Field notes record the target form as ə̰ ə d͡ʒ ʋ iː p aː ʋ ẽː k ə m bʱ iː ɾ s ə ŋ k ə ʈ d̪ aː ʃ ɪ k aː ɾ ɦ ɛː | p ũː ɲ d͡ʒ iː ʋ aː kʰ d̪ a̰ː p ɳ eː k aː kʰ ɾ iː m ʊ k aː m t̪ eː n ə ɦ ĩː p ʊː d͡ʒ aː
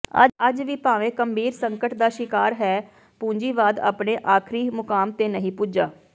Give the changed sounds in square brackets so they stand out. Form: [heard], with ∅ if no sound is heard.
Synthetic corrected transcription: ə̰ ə d͡ʒ ʋ iː p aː ʋ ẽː k ə m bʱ iː ɾ s ə ŋ k ə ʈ d̪ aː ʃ ɪ k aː ɾ ɦ ɛː | p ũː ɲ d͡ʒ iː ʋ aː [∅] d̪ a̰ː p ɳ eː [ʔ] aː kʰ ɾ iː m ʊ k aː m t̪ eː n ə ɦ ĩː p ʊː d͡ʒ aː